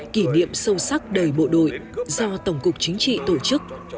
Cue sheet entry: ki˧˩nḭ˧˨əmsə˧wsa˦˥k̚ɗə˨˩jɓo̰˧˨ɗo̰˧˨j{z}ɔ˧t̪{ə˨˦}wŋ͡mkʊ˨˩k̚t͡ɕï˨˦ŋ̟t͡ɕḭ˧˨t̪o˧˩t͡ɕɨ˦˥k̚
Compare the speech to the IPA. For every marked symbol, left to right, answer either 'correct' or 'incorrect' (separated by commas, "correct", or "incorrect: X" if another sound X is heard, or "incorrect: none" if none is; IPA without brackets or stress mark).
correct, incorrect: ə˧˩